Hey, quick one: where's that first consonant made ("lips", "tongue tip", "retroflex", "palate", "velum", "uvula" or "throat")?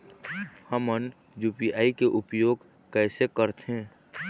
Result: throat